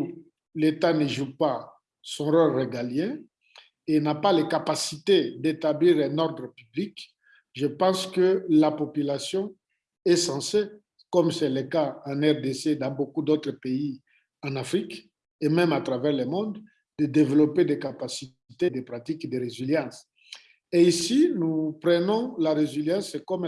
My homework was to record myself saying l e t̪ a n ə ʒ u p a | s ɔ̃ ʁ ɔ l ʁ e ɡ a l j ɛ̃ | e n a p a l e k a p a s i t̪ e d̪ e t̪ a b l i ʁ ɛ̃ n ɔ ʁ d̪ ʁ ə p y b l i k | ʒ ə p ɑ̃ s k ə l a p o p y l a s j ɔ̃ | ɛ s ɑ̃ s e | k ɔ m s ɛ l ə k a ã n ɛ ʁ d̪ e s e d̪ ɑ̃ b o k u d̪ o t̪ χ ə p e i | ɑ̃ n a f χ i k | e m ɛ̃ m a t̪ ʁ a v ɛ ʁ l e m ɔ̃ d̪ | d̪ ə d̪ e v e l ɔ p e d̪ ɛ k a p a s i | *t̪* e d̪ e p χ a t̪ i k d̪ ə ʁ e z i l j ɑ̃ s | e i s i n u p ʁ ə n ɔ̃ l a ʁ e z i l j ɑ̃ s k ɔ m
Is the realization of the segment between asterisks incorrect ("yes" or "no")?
no